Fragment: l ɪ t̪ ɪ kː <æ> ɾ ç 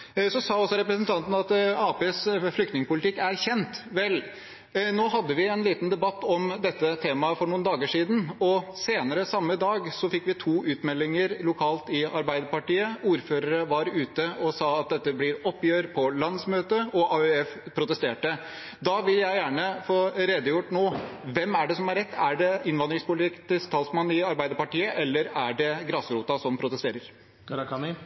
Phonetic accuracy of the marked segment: correct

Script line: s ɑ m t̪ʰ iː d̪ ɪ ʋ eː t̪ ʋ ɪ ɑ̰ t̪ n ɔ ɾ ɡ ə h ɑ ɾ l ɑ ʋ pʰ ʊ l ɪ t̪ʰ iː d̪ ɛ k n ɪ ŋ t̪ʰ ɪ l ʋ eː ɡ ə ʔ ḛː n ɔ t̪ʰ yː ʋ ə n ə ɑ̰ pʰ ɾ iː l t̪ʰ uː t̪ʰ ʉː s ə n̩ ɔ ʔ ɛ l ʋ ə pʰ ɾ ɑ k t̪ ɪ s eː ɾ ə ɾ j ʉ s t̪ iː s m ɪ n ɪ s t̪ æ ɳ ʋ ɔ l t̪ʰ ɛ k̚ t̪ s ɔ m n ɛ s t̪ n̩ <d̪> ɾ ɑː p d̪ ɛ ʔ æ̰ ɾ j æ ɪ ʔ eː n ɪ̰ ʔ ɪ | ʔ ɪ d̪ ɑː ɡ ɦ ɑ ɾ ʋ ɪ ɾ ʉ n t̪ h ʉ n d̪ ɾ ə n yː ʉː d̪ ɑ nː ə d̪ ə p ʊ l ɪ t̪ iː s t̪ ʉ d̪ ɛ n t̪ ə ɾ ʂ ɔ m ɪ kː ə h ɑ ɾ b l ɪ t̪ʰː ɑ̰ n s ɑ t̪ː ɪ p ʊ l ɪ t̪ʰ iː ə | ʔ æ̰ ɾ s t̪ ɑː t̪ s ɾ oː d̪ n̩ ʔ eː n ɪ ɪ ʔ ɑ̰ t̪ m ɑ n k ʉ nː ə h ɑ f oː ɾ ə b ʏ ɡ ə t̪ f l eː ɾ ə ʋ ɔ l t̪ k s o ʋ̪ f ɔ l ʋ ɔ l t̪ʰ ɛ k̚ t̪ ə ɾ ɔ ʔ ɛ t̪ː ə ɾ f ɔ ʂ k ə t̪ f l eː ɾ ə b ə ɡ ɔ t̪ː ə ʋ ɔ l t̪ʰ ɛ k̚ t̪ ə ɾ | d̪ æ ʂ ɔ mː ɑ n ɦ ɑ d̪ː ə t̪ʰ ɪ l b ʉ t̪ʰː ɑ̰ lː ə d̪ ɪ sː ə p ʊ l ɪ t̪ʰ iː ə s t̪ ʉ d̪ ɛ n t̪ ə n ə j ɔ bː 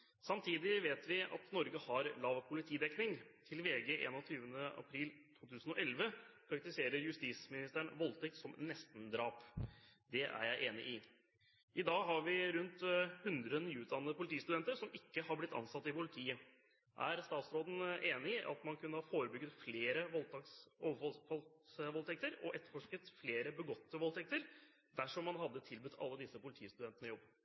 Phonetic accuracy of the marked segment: correct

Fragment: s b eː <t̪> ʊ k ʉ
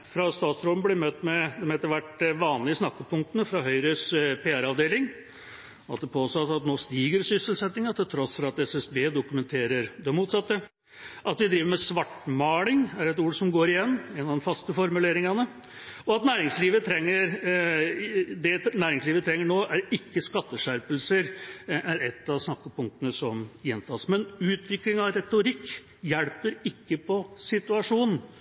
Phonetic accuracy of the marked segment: incorrect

